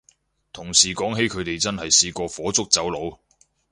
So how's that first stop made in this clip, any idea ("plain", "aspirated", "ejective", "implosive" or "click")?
aspirated